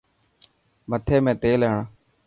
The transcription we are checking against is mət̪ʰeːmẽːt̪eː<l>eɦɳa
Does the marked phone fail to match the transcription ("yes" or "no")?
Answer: no